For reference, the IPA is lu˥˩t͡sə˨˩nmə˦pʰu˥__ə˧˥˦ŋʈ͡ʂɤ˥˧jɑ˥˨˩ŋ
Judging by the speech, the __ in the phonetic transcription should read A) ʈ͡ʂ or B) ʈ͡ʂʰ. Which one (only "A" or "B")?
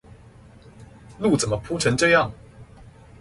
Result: B